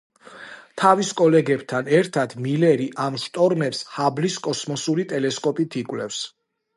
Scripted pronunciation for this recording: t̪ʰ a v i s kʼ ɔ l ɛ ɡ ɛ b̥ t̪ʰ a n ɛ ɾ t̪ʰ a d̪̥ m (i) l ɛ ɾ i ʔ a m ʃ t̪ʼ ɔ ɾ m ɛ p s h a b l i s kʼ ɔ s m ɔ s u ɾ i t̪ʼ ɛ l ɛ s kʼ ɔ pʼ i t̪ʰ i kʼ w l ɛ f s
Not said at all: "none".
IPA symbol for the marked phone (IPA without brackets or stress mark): i